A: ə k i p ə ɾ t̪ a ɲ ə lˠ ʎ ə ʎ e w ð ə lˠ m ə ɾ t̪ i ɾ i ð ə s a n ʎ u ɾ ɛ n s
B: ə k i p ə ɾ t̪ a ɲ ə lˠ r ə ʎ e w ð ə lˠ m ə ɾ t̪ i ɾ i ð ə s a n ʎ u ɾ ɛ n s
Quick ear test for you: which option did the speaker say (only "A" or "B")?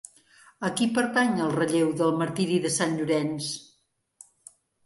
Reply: B